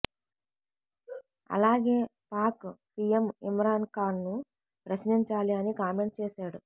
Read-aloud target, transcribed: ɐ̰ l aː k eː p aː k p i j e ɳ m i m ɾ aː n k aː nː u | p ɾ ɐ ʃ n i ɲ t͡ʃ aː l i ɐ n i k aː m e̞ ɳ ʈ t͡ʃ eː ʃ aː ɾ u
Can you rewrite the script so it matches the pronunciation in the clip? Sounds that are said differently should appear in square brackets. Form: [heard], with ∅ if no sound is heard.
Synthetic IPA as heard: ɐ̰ l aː [ɡ] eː p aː k p i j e [∅] m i m ɾ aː n k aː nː u | p ɾ ɐ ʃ n i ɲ t͡ʃ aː l i ɐ n i k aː m e̞ ɳ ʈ t͡ʃ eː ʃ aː [ɽ] u